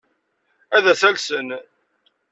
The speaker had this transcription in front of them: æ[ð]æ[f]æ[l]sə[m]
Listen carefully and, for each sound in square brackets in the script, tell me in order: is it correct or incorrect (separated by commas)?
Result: correct, incorrect, correct, incorrect